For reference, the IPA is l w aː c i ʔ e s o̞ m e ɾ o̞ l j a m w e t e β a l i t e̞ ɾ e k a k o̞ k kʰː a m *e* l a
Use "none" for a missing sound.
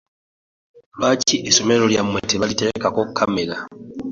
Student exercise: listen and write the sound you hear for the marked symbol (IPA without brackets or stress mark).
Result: e